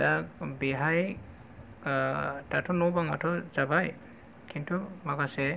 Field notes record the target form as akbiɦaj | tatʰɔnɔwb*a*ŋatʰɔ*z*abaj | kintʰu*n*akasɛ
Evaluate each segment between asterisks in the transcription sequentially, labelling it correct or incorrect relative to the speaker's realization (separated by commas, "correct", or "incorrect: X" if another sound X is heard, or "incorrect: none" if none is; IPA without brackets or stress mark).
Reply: correct, correct, incorrect: m